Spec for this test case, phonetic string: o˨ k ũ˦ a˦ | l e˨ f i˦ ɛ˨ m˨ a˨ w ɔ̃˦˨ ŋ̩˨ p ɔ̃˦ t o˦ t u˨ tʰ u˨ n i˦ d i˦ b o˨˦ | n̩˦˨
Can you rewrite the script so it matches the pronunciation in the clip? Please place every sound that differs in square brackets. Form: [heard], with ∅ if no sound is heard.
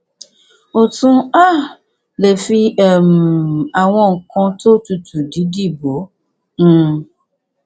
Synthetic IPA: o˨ [t] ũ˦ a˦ | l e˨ f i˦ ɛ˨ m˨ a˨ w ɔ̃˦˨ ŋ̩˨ [k] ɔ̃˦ t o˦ t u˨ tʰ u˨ [d] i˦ d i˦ b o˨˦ | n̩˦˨